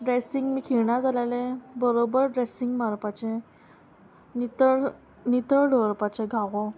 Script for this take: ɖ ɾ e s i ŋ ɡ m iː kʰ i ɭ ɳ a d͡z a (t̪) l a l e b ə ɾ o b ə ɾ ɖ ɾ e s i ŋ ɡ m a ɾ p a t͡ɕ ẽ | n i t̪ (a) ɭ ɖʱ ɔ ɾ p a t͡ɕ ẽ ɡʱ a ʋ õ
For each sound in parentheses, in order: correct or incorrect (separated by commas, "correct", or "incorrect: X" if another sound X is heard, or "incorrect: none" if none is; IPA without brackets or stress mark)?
incorrect: none, incorrect: ə